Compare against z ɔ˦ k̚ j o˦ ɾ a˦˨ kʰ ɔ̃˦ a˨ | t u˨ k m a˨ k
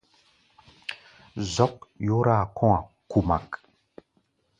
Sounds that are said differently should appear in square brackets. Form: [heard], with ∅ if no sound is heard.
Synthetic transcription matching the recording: z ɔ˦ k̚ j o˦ ɾ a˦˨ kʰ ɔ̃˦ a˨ | [k] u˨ [∅] m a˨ k

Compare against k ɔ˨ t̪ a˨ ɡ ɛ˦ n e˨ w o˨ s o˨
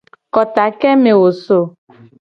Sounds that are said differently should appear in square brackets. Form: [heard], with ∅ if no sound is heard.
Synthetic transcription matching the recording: k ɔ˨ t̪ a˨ [k] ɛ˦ [m] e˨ w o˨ s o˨

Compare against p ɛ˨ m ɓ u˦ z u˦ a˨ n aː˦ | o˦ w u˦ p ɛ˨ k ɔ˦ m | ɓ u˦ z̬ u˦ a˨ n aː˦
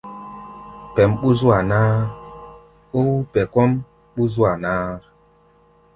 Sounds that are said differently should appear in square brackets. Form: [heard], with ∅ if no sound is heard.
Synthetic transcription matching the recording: p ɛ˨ m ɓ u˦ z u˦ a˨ n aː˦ | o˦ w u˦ p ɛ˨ k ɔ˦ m | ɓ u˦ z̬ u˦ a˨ n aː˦

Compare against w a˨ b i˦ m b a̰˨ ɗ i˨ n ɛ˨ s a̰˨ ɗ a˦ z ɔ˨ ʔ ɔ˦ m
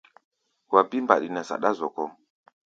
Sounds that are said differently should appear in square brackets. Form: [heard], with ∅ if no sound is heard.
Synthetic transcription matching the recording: w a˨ b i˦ m b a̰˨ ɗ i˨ n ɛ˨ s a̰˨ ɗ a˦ z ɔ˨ [k] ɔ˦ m

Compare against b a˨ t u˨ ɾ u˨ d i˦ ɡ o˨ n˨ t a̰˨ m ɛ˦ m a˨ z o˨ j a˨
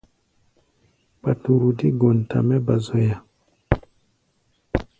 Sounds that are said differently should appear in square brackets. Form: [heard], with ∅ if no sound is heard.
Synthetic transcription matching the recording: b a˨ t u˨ ɾ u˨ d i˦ ɡ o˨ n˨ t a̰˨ m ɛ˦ [b] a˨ z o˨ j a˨

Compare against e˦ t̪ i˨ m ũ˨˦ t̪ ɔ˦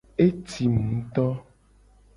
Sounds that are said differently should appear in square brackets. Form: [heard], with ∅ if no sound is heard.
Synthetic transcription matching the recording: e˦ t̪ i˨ m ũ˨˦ t̪ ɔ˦

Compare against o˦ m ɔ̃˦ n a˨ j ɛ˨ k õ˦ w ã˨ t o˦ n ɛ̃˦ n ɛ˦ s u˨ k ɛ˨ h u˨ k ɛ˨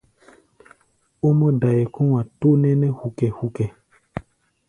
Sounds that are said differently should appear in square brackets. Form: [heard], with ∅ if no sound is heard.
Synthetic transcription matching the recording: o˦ m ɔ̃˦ [d] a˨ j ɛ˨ k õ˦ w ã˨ t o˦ n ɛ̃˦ n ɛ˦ [h] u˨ k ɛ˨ h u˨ k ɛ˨

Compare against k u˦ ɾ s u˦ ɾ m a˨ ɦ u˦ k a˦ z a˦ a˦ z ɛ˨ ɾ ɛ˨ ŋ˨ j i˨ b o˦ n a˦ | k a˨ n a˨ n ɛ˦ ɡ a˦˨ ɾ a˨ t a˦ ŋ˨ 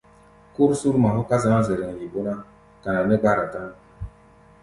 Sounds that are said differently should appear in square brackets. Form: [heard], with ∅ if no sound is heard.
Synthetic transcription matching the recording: k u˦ ɾ s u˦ ɾ m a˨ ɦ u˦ k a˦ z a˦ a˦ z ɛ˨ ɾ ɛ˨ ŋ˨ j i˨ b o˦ n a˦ | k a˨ n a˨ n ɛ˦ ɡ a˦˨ ɾ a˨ t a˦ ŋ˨

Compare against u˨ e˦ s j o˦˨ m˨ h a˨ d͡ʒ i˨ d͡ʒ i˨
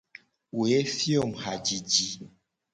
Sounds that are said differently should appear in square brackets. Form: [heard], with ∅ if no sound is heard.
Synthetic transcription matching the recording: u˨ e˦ [f] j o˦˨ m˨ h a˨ d͡ʒ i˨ d͡ʒ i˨

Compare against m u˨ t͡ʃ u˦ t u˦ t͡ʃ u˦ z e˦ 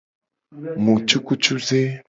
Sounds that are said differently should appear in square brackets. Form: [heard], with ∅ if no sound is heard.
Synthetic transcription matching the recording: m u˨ t͡ʃ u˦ [k] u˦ t͡ʃ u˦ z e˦

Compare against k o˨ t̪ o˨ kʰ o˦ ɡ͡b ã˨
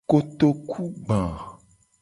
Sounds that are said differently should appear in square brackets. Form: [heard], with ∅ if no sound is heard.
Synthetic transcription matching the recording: k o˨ t̪ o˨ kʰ [u˦] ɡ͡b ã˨

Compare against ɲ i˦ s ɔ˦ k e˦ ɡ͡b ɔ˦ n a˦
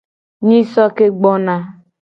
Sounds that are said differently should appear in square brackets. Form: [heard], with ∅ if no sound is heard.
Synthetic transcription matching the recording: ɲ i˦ s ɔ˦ k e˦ ɡ͡b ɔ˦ n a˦

